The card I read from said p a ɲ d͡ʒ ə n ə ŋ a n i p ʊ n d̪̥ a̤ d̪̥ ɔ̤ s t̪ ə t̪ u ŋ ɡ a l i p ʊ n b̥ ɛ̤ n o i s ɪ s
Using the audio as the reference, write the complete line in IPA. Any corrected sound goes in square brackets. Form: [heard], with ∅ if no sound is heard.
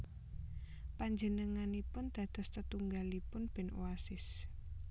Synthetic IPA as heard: p a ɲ d͡ʒ ə n ə ŋ a n i p ʊ n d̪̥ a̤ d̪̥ ɔ̤ s t̪ ə t̪ u ŋ ɡ a l i p ʊ n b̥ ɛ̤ n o [a] s ɪ s